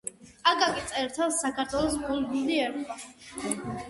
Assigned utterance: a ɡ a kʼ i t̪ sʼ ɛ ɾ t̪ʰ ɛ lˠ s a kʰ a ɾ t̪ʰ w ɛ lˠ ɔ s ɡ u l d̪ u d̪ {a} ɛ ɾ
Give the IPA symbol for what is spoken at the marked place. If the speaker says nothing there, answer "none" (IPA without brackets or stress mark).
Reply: i